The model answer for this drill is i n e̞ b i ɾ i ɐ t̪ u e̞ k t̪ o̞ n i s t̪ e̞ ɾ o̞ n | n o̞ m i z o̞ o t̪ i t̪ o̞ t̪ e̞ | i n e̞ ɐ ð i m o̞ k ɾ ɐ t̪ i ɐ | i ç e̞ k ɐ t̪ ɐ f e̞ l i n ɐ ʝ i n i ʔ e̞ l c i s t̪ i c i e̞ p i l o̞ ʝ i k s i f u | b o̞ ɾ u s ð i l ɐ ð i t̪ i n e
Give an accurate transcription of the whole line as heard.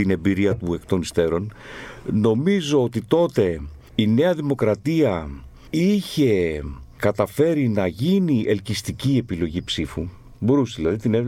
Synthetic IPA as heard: i n e̞ b i ɾ i ɐ t̪ u e̞ k t̪ o̞ n i s t̪ e̞ ɾ o̞ n | n o̞ m i z o̞ o t̪ i t̪ o̞ t̪ e̞ | i n e̞ ɐ ð i m o̞ k ɾ ɐ t̪ i ɐ | i ç e̞ k ɐ t̪ ɐ f e̞ ɾ i n ɐ ʝ i n i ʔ e̞ l c i s t̪ i c i e̞ p i l o̞ ʝ i p s i f u | b o̞ ɾ u s ð i l ɐ ð i t̪ i n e